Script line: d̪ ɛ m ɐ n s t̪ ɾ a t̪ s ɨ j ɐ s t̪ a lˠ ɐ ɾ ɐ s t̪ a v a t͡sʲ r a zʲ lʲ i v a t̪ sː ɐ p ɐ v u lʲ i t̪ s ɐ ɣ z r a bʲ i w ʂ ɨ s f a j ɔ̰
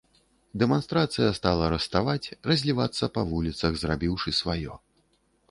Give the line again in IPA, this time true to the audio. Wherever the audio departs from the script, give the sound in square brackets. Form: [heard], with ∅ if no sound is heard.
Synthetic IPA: d̪ ɛ m [a] n s t̪ ɾ a t̪ s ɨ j ɐ s t̪ a lˠ ɐ ɾ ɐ s t̪ a v a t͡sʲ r [ɐ] zʲ lʲ i v a t̪ sː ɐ p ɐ v u lʲ i t̪ s ɐ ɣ z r a bʲ i w ʂ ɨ s [v] a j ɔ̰